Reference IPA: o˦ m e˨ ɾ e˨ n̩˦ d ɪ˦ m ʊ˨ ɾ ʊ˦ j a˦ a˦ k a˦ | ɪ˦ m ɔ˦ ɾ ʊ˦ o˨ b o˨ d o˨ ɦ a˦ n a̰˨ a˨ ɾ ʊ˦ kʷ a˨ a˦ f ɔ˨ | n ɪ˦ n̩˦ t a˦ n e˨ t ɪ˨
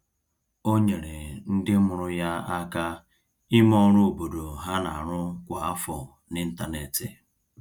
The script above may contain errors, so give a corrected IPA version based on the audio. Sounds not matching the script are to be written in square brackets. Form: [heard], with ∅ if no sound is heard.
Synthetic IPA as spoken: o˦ [ɲ] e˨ ɾ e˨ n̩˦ d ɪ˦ m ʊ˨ ɾ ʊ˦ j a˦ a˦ k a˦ | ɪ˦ m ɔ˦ ɾ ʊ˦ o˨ b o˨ d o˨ ɦ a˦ n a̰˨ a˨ ɾ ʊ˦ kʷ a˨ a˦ f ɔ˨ | n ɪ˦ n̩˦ t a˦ n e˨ t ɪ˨